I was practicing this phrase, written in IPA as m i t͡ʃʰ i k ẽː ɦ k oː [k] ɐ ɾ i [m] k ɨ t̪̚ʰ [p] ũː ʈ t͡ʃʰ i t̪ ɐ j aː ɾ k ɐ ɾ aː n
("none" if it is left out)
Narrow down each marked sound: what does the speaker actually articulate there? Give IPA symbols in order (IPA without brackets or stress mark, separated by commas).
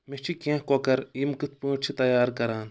k, m, p